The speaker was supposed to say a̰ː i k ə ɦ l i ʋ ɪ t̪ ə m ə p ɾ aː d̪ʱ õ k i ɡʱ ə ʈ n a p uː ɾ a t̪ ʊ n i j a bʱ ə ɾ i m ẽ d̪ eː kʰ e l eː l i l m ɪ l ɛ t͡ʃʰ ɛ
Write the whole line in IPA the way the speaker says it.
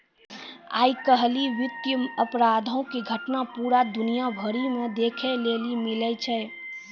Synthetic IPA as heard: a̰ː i k ə ɦ l i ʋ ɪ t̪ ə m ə p ɾ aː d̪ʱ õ k i ɡʱ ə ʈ n a p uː ɾ a d̪ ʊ n i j a bʱ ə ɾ i m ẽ d̪ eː kʰ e l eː l i m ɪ l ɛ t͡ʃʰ ɛ